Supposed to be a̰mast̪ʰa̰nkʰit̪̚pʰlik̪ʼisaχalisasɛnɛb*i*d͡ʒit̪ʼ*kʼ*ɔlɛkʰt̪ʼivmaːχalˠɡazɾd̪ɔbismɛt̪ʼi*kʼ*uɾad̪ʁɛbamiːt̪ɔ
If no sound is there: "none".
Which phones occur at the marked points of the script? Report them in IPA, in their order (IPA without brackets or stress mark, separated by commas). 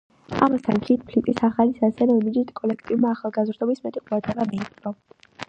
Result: i, kʼ, qʼ